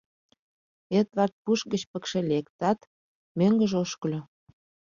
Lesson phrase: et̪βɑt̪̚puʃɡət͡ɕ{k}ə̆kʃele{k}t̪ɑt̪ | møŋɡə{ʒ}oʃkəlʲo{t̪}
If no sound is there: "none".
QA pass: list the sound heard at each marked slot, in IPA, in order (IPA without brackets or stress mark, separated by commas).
p, k, ʒ, none